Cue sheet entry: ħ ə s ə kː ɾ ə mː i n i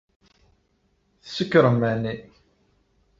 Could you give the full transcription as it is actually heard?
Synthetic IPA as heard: θ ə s ə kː ɾ ə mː æ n i